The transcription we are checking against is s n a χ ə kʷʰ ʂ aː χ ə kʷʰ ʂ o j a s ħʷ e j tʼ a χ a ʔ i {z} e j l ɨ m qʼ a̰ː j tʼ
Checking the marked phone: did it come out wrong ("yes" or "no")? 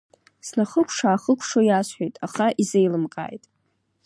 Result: no